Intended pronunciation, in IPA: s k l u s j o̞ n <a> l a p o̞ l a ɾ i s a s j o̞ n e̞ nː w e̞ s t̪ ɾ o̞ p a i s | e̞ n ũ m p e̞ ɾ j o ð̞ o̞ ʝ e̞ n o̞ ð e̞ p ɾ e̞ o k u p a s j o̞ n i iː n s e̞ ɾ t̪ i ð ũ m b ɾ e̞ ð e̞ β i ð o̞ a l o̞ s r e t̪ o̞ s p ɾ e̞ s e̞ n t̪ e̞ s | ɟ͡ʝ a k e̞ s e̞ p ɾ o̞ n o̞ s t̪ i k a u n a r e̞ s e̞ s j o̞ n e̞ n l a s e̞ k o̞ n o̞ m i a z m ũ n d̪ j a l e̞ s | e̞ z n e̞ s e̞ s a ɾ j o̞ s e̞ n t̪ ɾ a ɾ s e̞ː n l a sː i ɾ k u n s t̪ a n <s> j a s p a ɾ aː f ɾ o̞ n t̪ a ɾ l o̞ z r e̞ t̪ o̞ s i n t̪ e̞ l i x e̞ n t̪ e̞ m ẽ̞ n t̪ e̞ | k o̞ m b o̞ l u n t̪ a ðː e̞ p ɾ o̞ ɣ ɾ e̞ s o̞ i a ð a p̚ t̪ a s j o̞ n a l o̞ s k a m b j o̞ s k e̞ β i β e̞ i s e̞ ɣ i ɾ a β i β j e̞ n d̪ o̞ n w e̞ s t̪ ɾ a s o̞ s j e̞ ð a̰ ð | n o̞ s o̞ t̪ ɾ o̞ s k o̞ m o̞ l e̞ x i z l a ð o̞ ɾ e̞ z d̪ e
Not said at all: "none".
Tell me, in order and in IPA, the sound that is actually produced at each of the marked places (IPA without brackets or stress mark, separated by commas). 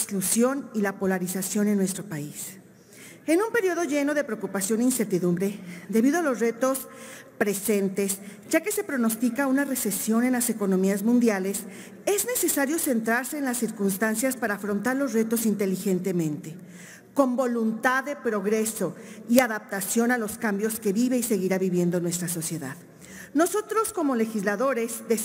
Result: i, s